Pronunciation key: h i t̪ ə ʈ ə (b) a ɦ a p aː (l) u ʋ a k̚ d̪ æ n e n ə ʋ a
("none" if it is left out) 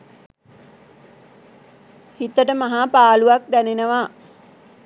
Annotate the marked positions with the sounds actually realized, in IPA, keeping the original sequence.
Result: m, l

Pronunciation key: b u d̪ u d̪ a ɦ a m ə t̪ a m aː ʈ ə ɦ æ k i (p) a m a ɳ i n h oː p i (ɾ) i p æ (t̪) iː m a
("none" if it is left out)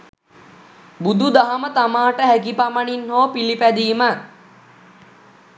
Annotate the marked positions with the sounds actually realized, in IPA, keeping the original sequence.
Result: p, l, d̪

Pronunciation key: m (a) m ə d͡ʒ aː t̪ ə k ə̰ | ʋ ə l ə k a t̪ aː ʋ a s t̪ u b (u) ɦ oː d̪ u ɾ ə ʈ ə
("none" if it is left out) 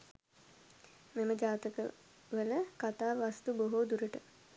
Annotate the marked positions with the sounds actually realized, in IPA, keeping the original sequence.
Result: e, o

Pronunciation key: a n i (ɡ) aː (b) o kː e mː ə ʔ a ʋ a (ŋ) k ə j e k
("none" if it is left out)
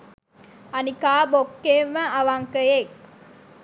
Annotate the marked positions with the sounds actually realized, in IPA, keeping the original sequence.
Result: k, b, ŋ

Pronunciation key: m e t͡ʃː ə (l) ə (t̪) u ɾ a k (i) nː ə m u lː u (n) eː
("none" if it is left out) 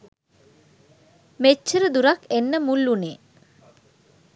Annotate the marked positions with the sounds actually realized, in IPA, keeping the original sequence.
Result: ɾ, d̪, e, n

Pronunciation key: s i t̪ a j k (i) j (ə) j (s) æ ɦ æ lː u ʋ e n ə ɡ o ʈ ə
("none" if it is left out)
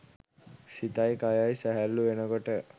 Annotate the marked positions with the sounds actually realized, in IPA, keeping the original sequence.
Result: a, a, s

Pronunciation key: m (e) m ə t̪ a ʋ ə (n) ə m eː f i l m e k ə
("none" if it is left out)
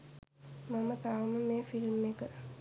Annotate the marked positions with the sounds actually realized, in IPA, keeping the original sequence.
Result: a, m

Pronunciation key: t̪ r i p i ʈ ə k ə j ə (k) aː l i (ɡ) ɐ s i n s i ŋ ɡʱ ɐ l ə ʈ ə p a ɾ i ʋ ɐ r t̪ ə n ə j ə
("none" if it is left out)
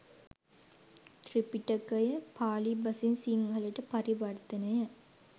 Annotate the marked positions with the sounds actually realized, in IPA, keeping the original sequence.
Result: p, b

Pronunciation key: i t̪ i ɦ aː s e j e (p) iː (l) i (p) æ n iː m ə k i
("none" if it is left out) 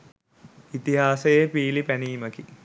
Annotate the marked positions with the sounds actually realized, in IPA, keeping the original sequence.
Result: p, l, p

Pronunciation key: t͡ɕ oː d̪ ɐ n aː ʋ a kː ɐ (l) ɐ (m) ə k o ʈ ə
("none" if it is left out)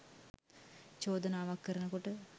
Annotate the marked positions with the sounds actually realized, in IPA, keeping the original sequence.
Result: ɾ, n

